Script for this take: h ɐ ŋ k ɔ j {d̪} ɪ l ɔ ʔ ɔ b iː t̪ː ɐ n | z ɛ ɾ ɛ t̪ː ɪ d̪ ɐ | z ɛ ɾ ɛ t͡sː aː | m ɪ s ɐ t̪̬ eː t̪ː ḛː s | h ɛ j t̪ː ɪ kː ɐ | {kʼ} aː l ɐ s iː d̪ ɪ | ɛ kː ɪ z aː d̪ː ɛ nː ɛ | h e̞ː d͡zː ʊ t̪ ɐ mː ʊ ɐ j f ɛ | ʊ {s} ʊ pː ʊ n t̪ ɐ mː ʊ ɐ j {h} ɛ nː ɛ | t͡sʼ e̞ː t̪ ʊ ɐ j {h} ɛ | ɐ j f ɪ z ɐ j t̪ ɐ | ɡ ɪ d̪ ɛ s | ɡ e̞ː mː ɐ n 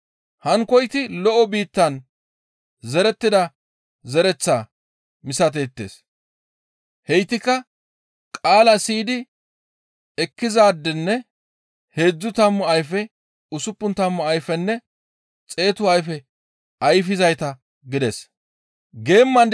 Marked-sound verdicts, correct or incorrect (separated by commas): incorrect, correct, correct, incorrect, incorrect